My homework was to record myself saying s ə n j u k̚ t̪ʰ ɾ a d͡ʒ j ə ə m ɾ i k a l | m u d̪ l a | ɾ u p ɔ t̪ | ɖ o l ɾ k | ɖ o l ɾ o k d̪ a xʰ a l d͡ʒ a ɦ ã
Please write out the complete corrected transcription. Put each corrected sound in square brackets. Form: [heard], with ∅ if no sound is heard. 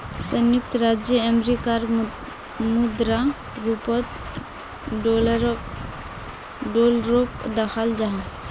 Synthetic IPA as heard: s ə n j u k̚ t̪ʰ ɾ a d͡ʒ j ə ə m ɾ i k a [ɾ] | m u d̪ [ɾ] a | ɾ u p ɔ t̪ | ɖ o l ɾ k | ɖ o l ɾ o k d̪ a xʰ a l d͡ʒ a ɦ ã